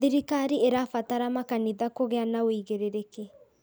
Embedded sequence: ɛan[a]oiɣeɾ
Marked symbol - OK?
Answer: yes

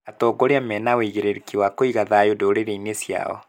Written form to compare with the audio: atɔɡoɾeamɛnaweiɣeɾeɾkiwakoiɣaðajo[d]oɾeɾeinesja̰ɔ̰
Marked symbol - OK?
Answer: yes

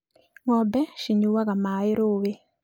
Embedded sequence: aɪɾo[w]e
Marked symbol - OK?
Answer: yes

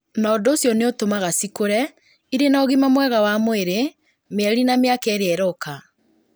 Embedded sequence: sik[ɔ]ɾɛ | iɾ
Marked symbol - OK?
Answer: no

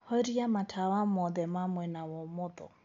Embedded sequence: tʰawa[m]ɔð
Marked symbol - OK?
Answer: yes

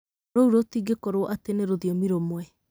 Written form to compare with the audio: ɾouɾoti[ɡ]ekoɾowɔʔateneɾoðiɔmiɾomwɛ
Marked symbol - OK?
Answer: yes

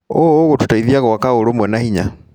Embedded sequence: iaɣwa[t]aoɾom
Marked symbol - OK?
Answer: no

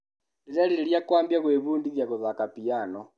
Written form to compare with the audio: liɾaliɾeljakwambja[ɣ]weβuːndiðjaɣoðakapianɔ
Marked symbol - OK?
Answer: yes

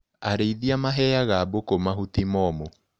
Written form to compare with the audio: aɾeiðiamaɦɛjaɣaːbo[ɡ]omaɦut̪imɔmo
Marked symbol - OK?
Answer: no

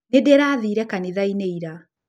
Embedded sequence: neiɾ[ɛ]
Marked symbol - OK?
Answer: no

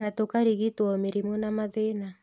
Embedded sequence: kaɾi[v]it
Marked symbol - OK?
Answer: no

